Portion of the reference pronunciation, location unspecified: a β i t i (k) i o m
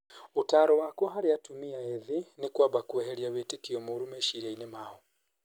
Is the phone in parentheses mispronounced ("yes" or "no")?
no